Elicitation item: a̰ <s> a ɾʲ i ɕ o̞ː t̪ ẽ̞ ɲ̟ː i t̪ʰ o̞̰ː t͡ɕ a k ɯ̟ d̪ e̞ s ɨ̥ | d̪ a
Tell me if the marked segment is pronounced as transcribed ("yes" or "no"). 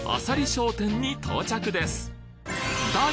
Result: yes